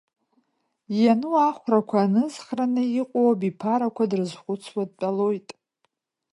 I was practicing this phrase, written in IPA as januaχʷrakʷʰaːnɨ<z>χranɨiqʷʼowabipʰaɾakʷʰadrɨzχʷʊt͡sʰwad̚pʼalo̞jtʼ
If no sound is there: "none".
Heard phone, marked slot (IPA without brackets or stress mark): z